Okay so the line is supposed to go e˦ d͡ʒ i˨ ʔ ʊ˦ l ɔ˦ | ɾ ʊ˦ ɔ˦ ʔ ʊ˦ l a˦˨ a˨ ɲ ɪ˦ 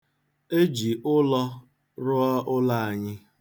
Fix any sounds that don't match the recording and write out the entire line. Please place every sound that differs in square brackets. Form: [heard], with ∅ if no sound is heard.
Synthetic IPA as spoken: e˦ d͡ʒ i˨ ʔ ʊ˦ l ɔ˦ | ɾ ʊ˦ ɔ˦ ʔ ʊ˦ l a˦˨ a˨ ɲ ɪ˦